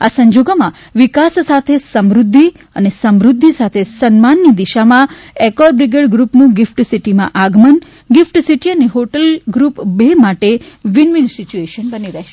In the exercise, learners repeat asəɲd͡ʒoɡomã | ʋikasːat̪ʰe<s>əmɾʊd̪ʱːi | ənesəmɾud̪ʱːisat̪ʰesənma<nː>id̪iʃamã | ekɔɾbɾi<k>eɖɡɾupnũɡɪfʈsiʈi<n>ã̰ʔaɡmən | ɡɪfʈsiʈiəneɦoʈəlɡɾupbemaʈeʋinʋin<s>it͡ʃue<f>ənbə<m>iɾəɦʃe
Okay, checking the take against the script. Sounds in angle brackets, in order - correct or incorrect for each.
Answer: correct, correct, incorrect: ɡ, incorrect: m, correct, incorrect: ʃ, incorrect: n

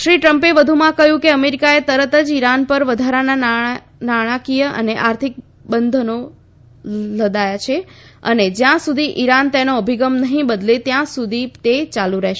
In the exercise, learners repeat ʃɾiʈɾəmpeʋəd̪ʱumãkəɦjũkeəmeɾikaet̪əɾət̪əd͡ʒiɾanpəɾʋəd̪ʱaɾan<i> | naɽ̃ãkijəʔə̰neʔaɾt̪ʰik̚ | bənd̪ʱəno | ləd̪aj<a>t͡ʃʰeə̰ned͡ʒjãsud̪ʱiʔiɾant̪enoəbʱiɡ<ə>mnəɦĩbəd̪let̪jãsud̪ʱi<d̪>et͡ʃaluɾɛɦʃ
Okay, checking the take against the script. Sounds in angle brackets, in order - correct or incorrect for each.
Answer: incorrect: a, correct, correct, incorrect: t̪

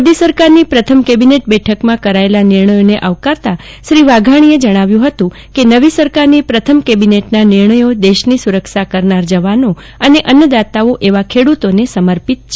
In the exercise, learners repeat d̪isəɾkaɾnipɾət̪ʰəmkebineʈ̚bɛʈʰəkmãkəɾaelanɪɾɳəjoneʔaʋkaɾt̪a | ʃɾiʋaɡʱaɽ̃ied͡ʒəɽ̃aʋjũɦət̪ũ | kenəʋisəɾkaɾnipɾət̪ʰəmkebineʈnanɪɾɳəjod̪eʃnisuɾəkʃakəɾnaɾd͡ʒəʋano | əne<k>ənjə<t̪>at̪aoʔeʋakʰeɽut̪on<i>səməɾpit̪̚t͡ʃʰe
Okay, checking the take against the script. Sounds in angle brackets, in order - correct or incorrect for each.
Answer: incorrect: ʔ, incorrect: d̪, incorrect: e

